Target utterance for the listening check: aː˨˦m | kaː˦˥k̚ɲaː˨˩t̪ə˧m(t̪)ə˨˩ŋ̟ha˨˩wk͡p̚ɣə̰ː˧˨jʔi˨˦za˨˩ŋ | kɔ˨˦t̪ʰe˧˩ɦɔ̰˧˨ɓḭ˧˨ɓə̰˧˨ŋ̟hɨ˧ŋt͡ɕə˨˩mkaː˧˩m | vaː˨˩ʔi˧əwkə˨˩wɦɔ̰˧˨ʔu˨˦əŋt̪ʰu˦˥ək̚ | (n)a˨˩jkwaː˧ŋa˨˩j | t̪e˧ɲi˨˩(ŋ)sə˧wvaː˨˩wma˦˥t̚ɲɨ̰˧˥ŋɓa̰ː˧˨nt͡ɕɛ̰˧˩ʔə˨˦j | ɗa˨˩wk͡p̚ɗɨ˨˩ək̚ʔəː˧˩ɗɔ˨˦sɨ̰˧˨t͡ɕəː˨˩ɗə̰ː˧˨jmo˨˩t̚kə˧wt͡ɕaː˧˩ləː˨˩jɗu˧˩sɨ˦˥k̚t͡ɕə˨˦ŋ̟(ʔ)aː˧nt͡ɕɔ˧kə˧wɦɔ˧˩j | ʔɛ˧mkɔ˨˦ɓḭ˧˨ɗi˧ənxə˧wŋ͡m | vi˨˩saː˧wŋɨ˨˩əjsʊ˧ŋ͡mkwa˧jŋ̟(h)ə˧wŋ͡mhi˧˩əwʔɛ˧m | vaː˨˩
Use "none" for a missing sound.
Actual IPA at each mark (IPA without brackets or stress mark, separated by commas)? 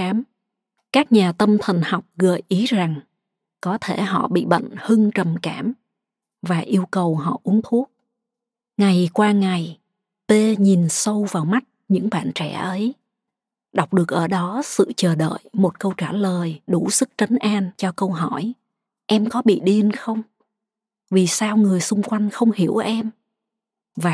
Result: t̪ʰ, ŋ, n, ʔ, x